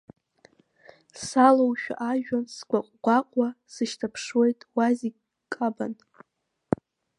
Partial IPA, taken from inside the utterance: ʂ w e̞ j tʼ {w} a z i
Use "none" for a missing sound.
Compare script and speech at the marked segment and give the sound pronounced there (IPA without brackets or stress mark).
w